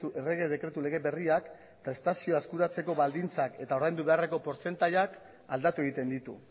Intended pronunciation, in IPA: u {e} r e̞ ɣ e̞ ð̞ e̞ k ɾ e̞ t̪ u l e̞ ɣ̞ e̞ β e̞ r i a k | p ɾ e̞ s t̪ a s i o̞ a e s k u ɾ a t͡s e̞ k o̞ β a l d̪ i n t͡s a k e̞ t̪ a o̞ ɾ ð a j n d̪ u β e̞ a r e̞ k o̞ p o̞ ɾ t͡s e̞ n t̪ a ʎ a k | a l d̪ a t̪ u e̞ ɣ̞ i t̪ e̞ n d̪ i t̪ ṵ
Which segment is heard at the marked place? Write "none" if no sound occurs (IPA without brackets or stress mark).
e